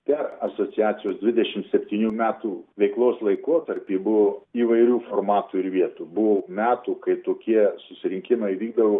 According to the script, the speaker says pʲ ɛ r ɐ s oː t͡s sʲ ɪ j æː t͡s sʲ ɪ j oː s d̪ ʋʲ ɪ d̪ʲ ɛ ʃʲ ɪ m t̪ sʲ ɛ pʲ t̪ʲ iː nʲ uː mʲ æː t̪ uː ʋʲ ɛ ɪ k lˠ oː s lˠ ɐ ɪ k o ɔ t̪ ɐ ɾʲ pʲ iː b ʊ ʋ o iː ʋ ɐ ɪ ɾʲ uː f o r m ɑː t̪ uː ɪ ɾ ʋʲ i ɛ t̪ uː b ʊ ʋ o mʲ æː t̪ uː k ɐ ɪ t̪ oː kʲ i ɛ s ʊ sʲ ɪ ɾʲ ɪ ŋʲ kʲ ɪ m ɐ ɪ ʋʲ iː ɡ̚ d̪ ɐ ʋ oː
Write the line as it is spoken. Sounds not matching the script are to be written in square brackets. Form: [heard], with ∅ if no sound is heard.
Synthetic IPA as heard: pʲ ɛ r ɐ s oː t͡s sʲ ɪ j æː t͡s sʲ ɪ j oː s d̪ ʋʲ ɪ d̪ʲ ɛ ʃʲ ɪ m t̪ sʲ ɛ pʲ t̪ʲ iː nʲ uː mʲ æː t̪ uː ʋʲ ɛ ɪ k lˠ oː s lˠ ɐ ɪ k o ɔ t̪ ɐ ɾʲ pʲ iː b ʊ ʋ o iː ʋ ɐ ɪ ɾʲ uː f o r m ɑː t̪ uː ɪ ɾ ʋʲ i ɛ t̪ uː b ʊ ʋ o mʲ æː t̪ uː k ɐ ɪ t̪ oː kʲ i ɛ s ʊ sʲ ɪ ɾʲ ɪ ŋʲ kʲ ɪ m ɐ ɪ ʋʲ iː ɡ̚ d̪ ɐ ʋ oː